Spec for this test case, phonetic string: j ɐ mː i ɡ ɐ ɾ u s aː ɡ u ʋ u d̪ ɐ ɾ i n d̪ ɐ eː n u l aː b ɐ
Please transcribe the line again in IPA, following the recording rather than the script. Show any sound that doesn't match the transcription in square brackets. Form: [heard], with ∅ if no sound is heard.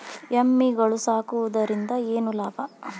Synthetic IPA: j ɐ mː i ɡ ɐ [ɭ] u s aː [k] u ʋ u d̪ ɐ ɾ i n d̪ ɐ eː n u l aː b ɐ